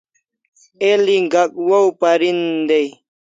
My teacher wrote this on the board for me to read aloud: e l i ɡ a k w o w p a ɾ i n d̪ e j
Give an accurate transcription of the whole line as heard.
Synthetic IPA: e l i ɡ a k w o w p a ɾ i n d̪ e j